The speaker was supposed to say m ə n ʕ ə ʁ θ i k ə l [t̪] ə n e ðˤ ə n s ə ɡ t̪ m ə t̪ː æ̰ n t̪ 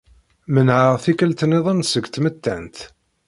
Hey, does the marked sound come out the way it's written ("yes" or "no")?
yes